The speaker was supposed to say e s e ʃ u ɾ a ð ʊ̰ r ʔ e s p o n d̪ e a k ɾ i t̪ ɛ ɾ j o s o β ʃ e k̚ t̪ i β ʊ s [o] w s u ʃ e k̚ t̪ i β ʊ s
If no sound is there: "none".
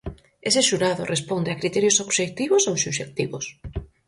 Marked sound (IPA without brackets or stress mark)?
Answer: o